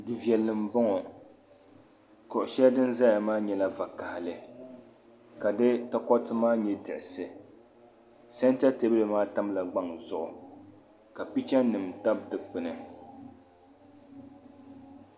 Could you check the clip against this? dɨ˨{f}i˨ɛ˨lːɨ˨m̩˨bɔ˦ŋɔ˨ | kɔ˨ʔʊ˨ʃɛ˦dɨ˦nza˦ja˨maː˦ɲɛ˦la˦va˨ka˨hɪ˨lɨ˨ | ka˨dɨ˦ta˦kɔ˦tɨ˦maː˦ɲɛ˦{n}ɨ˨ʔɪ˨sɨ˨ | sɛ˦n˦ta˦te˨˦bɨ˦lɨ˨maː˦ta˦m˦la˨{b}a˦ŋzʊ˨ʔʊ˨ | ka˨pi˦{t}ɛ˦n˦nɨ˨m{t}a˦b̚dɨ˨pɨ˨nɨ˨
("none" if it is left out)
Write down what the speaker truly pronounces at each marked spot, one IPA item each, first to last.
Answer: v, d, ɡ͡b, t͡ʃ, t

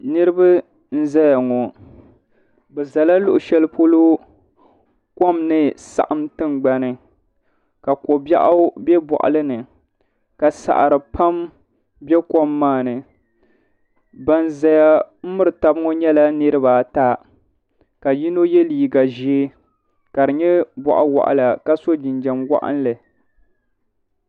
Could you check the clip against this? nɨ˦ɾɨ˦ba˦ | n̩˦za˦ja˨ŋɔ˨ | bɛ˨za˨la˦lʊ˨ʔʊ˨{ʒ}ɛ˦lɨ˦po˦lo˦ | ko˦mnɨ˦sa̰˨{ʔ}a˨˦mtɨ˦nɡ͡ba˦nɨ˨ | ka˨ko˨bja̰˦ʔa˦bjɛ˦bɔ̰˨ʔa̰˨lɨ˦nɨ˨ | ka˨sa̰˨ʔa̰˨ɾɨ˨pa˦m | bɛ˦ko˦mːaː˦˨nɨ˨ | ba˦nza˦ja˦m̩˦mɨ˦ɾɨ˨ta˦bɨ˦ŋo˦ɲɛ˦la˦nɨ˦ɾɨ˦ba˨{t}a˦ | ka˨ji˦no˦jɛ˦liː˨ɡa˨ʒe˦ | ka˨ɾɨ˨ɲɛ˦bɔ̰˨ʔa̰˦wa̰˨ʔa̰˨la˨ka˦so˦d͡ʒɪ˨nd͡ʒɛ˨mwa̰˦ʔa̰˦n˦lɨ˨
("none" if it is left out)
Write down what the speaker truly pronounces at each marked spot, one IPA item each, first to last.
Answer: ʃ, ʔ, t

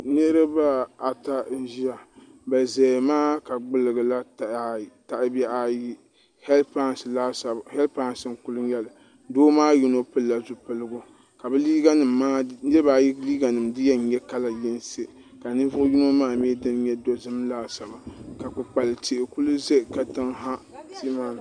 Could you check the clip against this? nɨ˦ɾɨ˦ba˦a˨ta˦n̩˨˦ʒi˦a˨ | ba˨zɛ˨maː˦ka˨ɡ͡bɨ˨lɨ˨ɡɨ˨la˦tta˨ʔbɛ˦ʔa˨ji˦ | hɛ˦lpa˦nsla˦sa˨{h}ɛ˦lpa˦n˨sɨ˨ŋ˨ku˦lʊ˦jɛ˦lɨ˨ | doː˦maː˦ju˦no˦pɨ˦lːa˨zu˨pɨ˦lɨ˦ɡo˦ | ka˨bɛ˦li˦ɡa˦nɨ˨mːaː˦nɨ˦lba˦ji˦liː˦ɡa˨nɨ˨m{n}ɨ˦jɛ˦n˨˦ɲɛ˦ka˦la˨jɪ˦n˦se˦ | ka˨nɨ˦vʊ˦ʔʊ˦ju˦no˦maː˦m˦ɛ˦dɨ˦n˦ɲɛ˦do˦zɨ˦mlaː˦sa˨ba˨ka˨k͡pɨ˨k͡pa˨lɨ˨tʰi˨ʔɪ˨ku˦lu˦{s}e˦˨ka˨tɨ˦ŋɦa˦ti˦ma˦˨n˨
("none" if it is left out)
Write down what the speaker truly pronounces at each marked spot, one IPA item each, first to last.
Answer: h, d, z

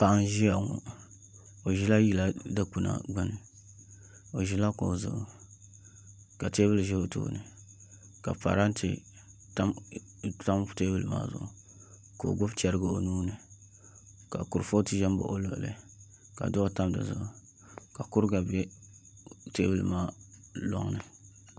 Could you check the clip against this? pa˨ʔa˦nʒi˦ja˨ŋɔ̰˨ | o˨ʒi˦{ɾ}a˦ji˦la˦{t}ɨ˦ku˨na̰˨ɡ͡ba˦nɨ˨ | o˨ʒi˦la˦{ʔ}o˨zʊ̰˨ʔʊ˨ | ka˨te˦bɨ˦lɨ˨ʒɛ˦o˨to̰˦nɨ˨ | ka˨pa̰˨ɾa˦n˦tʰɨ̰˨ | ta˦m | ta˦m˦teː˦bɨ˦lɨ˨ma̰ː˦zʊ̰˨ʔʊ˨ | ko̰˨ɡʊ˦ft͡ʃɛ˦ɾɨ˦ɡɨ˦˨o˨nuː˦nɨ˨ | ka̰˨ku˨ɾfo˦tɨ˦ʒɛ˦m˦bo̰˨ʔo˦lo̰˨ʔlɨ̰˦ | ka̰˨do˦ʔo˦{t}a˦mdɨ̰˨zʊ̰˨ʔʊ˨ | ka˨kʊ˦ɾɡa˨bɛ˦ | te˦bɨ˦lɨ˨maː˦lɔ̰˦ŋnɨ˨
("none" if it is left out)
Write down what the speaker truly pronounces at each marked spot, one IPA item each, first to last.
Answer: l, d, k, t

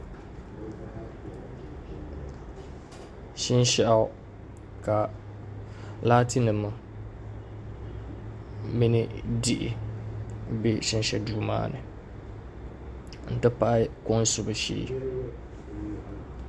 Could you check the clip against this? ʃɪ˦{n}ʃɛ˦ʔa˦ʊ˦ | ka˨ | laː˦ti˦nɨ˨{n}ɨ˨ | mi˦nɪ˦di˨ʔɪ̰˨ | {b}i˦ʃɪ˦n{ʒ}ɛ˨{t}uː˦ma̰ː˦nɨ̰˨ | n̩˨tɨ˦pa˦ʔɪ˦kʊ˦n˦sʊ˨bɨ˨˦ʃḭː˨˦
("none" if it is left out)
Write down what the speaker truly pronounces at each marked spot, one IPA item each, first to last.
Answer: n, m, b, ʃ, d

